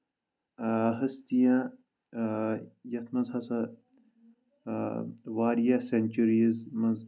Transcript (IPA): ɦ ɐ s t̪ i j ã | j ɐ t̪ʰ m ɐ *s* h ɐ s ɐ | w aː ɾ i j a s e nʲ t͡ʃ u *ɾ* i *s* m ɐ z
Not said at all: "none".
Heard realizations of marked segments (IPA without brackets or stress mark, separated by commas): z, ɾ, z